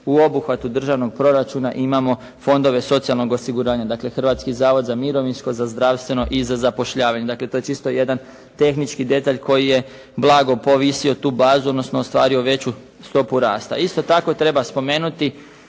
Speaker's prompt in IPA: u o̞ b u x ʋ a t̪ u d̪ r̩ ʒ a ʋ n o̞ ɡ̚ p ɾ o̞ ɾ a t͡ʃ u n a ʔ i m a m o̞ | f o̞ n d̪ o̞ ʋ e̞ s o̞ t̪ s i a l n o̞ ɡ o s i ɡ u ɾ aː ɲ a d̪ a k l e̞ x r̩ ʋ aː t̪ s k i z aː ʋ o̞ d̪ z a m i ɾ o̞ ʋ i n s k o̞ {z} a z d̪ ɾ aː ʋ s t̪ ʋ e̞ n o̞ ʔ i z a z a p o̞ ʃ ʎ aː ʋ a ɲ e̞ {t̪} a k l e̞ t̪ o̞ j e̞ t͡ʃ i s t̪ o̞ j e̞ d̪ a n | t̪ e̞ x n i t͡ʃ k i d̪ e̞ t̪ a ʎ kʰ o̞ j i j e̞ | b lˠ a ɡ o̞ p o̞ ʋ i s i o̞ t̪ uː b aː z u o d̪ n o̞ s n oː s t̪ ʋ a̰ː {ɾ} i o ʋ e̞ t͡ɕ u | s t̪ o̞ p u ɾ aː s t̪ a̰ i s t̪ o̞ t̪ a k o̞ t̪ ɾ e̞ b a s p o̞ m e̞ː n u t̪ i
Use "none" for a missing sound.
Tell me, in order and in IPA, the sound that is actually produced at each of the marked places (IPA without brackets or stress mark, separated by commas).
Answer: z, d̪, ɾ